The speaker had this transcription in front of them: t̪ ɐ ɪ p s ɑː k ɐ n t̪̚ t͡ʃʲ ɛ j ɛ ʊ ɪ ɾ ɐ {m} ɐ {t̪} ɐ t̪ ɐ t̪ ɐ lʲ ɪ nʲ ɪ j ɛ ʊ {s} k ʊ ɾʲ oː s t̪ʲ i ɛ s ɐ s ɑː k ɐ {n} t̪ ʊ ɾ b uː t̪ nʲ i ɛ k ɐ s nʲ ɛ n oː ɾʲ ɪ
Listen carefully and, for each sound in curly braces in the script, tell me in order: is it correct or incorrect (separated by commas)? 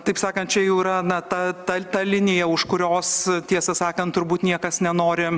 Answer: incorrect, correct, incorrect, correct